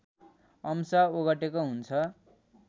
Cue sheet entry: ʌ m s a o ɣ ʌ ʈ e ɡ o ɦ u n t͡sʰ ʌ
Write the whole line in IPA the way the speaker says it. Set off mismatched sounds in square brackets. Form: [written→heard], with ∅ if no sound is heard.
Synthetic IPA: ʌ m s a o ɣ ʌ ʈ e [ɡ→k] o ɦ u n t͡sʰ ʌ